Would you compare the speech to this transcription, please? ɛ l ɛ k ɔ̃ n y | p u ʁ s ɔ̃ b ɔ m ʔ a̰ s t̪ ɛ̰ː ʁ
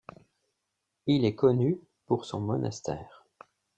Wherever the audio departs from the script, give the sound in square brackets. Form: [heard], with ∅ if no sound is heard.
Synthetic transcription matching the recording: [i] l ɛ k [ɔ] n y | p u ʁ s ɔ̃ [m] ɔ [n] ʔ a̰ s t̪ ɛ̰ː ʁ